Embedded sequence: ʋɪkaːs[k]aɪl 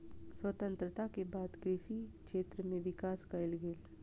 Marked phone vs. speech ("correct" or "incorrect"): correct